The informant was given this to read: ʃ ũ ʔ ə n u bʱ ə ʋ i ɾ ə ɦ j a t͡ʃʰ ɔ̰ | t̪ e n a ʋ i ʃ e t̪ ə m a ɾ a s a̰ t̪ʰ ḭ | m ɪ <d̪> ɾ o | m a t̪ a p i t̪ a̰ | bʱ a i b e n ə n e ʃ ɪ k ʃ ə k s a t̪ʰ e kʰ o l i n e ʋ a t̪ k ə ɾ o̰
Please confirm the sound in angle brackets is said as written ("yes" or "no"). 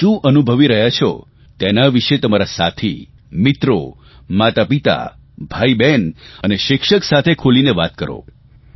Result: no